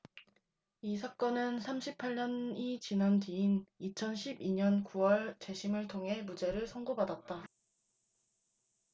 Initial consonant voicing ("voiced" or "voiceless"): voiceless